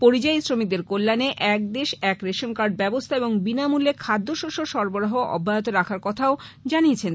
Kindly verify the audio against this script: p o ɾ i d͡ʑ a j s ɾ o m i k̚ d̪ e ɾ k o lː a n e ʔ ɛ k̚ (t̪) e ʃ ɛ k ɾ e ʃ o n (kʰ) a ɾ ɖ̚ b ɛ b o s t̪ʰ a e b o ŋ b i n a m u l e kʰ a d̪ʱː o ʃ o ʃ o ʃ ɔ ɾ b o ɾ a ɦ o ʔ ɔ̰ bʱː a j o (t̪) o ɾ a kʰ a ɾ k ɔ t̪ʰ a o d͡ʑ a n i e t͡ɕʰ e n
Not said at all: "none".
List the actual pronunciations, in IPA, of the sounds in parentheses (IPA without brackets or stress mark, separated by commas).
d̪, k, t̪